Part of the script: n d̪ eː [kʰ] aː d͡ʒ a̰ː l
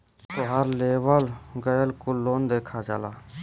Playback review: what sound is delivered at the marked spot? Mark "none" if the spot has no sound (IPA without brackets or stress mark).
kʰ